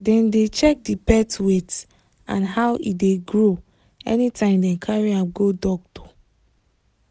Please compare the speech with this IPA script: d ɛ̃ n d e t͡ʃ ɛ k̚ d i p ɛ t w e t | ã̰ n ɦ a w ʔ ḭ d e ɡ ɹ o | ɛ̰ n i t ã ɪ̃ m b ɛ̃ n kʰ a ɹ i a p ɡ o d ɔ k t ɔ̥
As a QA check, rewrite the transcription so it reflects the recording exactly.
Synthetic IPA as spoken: d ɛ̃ n d e t͡ʃ ɛ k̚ d i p ɛ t w e t | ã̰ n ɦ a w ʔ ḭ d e ɡ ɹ o | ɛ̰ n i t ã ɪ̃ m d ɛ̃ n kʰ a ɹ i a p ɡ o d ɔ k t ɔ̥